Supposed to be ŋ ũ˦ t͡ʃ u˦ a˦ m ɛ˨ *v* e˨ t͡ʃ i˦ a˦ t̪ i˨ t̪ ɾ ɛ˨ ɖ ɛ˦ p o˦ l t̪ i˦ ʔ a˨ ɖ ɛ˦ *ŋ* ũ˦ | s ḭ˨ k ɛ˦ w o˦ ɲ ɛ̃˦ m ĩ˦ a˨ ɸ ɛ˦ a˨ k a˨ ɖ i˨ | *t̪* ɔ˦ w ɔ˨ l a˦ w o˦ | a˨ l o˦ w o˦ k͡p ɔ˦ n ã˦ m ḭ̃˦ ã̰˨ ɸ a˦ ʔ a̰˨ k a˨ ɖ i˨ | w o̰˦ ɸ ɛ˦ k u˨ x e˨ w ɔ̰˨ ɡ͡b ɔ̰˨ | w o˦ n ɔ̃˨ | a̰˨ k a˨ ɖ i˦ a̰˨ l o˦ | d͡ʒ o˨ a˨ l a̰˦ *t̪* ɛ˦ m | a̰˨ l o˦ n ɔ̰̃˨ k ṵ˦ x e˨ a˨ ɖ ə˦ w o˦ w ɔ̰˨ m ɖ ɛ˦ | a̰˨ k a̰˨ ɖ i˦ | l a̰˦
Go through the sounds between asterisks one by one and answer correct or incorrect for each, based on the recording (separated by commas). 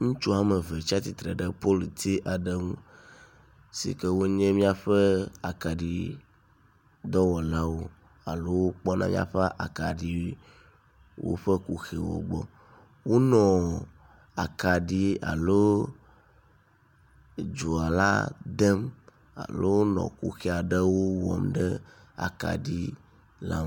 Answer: correct, correct, incorrect, incorrect